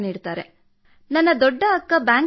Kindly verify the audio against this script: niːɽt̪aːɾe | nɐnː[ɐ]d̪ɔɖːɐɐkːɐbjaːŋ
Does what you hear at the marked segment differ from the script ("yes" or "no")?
no